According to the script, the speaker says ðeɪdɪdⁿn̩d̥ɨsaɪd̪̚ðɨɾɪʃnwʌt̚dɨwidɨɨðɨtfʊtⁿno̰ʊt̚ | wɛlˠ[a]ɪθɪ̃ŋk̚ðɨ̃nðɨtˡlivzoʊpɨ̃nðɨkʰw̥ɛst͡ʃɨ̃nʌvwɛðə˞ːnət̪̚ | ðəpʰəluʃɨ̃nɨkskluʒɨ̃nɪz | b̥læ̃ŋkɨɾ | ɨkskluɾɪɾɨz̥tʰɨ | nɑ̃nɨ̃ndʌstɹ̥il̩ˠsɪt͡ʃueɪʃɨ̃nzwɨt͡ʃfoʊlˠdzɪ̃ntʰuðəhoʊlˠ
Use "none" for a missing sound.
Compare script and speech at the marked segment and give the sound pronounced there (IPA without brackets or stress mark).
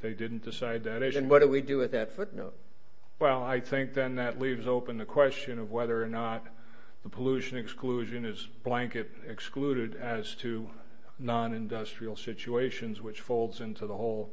a